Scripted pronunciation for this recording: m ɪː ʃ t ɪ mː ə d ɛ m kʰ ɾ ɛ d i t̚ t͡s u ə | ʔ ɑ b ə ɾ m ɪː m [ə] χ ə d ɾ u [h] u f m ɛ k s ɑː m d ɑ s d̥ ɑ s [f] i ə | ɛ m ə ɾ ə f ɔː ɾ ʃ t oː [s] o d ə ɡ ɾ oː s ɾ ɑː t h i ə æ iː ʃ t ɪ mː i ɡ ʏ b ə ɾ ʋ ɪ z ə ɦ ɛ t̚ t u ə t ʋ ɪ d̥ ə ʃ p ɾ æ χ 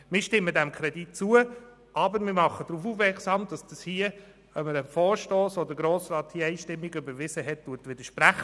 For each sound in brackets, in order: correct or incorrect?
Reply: incorrect: ɑ, incorrect: f, incorrect: h, correct

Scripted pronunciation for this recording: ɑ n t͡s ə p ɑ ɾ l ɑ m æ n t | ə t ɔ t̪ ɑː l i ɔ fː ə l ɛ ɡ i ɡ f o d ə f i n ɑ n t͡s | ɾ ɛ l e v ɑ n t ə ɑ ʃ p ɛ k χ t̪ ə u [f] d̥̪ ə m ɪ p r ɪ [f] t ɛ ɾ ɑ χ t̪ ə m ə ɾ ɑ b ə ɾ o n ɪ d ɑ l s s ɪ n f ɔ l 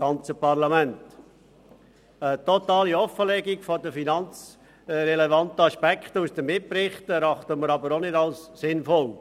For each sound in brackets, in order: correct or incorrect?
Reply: incorrect: s, incorrect: χ

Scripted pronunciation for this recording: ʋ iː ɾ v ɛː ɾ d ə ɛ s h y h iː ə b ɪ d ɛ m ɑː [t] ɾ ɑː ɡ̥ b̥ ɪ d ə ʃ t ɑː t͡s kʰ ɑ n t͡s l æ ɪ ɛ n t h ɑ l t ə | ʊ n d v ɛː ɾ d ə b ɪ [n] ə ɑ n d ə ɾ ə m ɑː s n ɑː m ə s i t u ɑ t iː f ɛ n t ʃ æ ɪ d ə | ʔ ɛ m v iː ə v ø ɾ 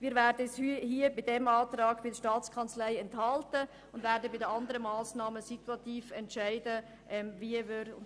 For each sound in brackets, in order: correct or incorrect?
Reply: correct, incorrect: d

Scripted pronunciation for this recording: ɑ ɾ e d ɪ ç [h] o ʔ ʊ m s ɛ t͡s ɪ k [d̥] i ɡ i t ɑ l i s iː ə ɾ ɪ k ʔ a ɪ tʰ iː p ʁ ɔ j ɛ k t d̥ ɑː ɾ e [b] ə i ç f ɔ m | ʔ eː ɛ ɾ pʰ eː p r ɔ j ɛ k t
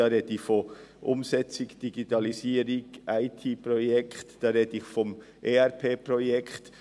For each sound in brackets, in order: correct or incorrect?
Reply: incorrect: f, correct, incorrect: d

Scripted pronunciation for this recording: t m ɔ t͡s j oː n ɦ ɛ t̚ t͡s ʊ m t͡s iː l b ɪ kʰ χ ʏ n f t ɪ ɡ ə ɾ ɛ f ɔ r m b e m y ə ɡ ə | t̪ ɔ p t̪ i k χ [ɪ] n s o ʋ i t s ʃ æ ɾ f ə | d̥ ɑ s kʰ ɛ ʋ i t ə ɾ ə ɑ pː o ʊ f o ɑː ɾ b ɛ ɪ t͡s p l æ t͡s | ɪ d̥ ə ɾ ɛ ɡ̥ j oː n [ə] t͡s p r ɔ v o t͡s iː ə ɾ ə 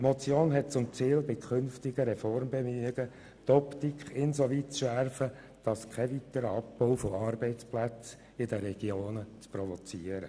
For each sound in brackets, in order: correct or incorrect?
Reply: correct, correct

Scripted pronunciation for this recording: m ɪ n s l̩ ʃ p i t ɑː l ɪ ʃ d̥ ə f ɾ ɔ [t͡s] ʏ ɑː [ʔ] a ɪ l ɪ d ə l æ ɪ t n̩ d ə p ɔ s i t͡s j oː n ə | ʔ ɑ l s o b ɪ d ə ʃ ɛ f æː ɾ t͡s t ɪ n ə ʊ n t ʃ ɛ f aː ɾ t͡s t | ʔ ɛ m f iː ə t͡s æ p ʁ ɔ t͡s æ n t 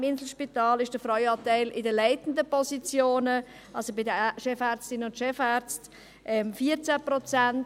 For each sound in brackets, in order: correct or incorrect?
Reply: incorrect: none, incorrect: t

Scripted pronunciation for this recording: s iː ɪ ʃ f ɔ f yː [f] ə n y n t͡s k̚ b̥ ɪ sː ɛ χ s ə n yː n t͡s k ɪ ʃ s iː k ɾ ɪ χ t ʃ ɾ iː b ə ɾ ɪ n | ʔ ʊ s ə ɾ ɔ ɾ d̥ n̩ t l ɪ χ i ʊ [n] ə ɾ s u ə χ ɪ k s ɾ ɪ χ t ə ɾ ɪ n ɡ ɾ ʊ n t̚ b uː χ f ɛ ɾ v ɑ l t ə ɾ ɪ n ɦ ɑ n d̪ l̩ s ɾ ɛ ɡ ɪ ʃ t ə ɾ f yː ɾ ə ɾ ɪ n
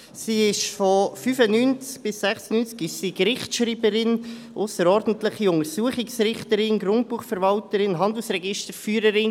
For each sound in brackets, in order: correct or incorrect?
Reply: correct, incorrect: ŋ

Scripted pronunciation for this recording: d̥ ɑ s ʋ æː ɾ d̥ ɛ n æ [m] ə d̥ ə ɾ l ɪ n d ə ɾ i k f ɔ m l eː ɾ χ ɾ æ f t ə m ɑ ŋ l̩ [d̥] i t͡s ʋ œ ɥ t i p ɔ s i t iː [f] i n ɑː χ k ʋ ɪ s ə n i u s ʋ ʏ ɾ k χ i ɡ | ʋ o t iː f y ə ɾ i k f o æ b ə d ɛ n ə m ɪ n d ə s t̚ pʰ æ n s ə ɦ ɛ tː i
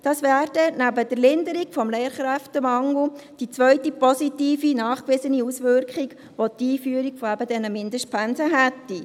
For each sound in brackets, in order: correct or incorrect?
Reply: incorrect: b, correct, correct

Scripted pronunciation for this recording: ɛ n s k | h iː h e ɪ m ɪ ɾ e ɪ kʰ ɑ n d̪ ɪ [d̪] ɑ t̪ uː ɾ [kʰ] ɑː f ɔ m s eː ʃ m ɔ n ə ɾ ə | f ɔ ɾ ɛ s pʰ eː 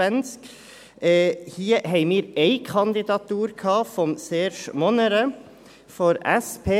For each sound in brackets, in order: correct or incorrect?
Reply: correct, correct

